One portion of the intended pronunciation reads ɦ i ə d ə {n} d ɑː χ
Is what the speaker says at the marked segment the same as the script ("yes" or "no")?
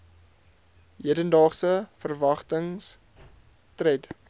yes